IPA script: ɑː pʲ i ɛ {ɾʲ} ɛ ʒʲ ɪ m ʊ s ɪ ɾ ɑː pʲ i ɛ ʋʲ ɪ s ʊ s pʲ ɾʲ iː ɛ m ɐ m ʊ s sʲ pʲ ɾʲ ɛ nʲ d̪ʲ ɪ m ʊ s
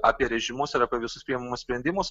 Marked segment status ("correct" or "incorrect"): correct